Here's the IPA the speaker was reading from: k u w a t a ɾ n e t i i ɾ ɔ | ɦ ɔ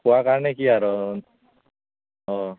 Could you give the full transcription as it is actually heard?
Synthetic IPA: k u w a k a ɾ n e k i a ɾ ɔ | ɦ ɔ